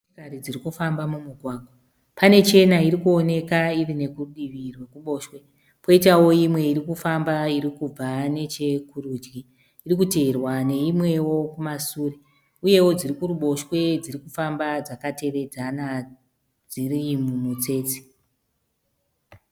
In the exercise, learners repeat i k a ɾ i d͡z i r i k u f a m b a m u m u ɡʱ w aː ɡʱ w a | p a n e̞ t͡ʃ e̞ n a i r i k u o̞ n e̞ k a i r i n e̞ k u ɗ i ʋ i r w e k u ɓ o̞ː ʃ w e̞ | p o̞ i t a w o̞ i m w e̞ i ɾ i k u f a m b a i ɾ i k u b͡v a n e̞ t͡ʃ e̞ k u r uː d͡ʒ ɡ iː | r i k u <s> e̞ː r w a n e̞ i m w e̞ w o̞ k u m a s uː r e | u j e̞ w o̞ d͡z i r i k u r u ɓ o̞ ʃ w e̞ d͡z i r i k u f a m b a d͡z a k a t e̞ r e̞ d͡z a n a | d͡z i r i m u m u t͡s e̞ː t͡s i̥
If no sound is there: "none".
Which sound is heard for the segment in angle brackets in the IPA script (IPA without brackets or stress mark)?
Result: t